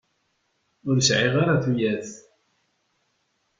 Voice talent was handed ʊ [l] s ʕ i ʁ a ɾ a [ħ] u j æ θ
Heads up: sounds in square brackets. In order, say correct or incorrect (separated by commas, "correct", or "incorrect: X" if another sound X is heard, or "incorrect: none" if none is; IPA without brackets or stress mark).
incorrect: ɾ, incorrect: θ